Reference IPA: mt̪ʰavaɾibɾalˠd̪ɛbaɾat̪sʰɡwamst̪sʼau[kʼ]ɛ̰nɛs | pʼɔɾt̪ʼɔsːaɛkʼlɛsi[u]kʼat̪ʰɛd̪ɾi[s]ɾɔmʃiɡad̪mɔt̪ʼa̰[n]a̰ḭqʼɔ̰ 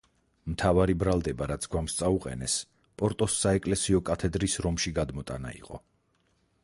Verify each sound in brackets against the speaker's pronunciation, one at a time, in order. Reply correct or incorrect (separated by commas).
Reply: incorrect, incorrect, correct, correct